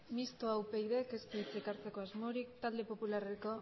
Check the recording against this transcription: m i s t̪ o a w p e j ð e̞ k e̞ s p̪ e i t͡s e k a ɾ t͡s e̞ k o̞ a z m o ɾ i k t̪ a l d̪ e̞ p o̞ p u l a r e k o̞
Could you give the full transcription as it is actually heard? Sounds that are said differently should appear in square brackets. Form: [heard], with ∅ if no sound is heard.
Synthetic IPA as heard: m i s t̪ o a w p e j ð e̞ k e̞ s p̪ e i t͡s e k a ɾ t͡s e̞ k o̞ a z m o ɾ i k t̪ a l d̪ e̞ p o̞ p u l a r e k o̞